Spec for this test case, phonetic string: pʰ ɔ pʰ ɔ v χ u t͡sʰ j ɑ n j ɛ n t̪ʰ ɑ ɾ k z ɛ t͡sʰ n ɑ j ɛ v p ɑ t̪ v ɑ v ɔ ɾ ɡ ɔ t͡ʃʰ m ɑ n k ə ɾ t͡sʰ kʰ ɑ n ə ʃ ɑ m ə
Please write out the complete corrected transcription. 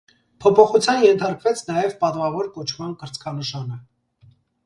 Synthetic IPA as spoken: pʰ ɔ pʰ ɔ χ u t͡sʰ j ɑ n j ɛ n t̪ʰ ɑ ɾ k v ɛ t͡sʰ n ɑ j ɛ v p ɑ t̪ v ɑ v ɔ ɾ k ɔ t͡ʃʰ m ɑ n k ə ɾ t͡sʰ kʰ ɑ n ə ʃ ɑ n ə